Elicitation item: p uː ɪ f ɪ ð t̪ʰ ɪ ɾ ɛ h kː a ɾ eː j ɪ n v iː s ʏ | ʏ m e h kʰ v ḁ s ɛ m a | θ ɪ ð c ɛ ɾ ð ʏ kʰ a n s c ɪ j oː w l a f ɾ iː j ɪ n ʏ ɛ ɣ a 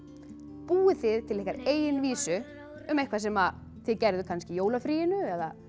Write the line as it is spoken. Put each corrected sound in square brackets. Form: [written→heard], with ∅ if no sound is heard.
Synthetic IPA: p uː ɪ [f→θ] ɪ ð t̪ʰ ɪ [ɾ→l] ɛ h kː a ɾ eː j ɪ n v iː s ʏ | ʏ m e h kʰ v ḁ s ɛ m a | θ ɪ ð c ɛ ɾ ð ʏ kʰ a n s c ɪ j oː w l a f ɾ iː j ɪ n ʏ ɛ [ɣ→ð] a